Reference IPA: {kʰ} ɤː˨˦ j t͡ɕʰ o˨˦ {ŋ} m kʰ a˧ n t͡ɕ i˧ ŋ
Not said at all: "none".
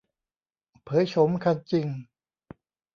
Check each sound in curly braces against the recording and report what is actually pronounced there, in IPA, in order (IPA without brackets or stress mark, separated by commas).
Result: pʰ, none